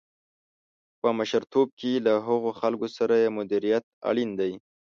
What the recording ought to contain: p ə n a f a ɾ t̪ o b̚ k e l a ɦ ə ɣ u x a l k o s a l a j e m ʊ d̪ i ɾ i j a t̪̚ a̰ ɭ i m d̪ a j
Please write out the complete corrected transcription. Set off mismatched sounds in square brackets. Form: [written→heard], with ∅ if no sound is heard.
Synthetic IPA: p ə [n→m] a [f→ʃ] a ɾ t̪ o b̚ k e l a ɦ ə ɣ [u→o] x a l k o s a [l→ɾ] a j e m ʊ d̪ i ɾ i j a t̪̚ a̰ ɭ i [m→n] d̪ a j

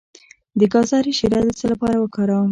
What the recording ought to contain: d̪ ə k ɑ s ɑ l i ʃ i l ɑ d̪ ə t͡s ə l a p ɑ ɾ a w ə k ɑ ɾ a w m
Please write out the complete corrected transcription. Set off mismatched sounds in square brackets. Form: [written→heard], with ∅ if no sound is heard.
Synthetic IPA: d̪ ə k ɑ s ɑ [l→ɾ] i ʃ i [l→ɾ] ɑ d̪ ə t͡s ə l a p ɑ ɾ a w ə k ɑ ɾ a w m

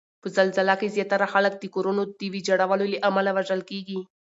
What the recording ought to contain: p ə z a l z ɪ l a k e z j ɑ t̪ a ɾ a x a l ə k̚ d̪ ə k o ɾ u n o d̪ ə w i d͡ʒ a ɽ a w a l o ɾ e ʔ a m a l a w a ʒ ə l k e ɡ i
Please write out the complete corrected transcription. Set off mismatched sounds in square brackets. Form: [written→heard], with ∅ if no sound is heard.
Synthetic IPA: p ə z a l z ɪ l a k e z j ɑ t̪ a ɾ a x a l ə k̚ d̪ ə k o ɾ u n o d̪ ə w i d͡ʒ a ɽ a w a l o [ɾ→l] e ʔ a m a l a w a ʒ ə l k e ɡ i

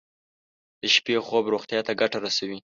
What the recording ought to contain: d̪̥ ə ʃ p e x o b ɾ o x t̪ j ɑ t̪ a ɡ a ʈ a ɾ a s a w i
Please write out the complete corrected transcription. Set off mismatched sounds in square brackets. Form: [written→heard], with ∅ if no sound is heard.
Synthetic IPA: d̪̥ ə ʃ p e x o b ɾ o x t̪ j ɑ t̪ a ɡ a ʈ a ɾ a s a w i

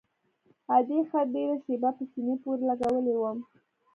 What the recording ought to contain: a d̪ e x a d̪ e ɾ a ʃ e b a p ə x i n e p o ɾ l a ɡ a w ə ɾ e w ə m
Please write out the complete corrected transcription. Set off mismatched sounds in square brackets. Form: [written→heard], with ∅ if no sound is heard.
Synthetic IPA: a d̪ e x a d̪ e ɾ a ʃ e b a p ə [x→s] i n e p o ɾ l a ɡ a w ə [ɾ→l] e w ə m

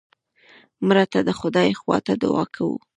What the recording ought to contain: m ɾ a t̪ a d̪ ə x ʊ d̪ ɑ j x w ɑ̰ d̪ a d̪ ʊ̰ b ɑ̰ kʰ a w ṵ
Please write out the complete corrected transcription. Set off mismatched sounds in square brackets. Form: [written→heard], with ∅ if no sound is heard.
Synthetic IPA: m ɾ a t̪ a d̪ ə x ʊ d̪ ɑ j x w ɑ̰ [d̪→t̪] a d̪ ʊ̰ [b→w] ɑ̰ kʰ a w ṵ

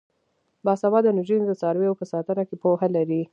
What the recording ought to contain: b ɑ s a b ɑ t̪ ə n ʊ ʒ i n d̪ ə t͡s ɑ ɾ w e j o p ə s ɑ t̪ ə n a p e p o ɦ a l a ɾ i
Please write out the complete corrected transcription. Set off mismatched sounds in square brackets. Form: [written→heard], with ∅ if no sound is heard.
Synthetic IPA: b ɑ s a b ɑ [t̪→d̪] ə n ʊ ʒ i n d̪ ə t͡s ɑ ɾ w e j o p ə s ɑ t̪ ə n a [p→k] e p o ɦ a l a ɾ i

